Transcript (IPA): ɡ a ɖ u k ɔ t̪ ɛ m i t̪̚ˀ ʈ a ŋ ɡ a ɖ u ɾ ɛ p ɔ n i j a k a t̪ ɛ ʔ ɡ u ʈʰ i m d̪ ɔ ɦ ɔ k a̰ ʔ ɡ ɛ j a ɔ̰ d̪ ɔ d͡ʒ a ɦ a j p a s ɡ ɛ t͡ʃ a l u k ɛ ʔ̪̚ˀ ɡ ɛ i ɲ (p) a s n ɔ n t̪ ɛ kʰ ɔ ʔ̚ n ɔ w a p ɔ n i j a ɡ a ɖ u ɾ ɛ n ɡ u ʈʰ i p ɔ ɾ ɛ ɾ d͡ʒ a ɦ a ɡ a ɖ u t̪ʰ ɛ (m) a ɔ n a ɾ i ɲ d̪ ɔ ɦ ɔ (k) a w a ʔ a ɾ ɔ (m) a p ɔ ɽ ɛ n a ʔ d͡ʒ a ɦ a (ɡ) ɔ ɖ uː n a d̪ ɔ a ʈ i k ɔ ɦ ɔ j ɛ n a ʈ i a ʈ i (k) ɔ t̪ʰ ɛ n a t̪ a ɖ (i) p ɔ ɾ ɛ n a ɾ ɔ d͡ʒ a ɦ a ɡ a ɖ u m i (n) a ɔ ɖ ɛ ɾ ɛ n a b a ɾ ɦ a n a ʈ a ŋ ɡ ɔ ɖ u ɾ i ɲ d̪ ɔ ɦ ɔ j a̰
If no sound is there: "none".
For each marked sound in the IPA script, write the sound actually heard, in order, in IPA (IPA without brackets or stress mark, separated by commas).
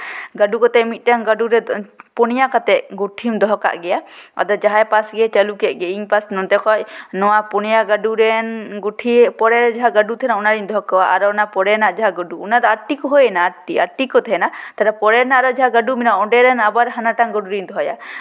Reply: p, n, k, n, ɡ, k, a, n